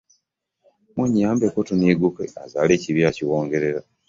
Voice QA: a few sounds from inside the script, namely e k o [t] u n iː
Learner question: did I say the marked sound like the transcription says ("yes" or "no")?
yes